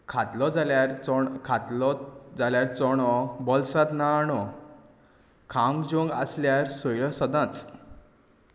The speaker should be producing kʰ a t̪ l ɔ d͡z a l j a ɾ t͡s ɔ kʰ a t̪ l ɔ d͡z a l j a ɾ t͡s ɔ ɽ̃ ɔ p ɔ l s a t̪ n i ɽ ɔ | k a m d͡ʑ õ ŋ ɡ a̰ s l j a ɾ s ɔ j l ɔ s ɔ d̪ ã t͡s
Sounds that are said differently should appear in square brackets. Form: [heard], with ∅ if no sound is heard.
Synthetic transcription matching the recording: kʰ a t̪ l ɔ d͡z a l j a ɾ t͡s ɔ kʰ a t̪ l ɔ d͡z a l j a ɾ t͡s ɔ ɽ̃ ɔ [b] ɔ l s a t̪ n [a] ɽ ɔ | [kʰ] a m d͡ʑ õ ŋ ɡ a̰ s l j a ɾ s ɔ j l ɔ s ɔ d̪ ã t͡s